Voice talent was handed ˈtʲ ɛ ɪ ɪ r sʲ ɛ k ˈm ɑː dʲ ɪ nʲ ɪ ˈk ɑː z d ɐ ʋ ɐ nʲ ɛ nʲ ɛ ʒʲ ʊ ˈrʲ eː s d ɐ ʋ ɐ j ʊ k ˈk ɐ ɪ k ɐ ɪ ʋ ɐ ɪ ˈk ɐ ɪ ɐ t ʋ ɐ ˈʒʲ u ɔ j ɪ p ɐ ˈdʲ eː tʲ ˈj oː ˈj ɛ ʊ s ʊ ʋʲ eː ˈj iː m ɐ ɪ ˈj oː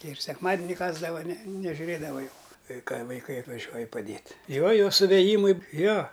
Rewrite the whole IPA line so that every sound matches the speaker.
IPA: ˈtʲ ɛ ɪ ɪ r sʲ ɛ k ˈm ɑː dʲ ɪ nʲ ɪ ˈk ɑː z d ɐ ʋ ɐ nʲ ɛ nʲ ɛ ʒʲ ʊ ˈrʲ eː d ɐ ʋ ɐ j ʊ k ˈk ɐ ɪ k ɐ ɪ ʋ ɐ ɪ ˈk ɐ ɪ ɐ t ʋ ɐ ˈʒʲ u ɔ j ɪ p ɐ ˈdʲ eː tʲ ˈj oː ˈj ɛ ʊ s ʊ ʋʲ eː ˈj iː m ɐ ɪ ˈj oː